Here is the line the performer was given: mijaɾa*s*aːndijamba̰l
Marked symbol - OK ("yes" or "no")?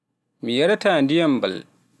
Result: no